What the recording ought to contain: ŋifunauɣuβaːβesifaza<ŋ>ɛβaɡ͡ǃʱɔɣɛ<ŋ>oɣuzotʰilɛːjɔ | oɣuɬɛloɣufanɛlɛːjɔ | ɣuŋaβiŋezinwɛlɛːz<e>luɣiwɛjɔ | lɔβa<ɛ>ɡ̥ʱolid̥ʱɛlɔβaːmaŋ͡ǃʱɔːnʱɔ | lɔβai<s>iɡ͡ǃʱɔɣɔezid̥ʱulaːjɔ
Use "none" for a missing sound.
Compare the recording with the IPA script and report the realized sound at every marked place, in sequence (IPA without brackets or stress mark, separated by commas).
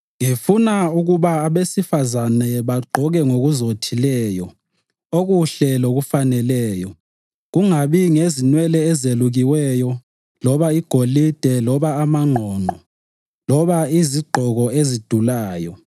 n, ŋ, e, i, z